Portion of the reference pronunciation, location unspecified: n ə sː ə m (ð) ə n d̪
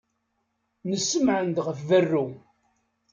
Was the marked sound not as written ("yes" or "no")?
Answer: yes